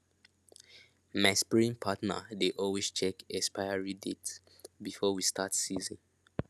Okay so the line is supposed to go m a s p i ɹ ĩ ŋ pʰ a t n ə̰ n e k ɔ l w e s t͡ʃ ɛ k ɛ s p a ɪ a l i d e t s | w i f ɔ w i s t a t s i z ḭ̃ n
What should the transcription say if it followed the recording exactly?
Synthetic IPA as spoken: m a s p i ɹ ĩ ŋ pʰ a t n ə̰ d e ʔ ɔ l w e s t͡ʃ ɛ k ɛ s p a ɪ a ɹ i d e t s | b i f ɔ w i s t a t s i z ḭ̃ n